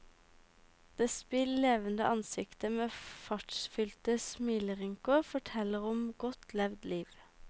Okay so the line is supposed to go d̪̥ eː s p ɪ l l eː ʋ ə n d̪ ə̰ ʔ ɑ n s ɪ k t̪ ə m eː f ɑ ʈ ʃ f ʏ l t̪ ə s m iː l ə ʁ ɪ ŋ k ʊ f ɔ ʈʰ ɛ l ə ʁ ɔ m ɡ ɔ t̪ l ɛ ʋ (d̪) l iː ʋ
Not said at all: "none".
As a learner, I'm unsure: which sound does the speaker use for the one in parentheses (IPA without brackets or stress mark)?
d̪